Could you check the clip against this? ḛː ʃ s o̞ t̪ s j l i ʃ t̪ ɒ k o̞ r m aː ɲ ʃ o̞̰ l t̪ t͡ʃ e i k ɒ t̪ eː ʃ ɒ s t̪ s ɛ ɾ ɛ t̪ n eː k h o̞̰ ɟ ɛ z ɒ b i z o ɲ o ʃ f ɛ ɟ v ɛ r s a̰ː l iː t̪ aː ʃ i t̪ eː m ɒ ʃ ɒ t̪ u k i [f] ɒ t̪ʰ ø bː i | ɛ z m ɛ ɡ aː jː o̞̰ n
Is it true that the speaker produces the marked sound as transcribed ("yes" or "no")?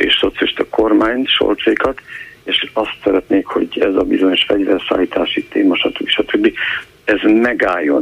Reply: no